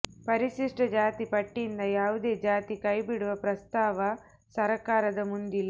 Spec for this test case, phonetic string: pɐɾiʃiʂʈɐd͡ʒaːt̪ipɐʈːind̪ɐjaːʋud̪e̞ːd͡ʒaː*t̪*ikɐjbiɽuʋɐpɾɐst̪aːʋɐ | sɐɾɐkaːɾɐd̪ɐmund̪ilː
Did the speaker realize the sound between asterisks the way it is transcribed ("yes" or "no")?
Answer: yes